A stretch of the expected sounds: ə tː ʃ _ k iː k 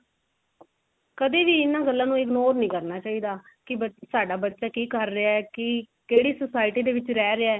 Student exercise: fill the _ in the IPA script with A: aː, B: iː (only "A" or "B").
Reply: A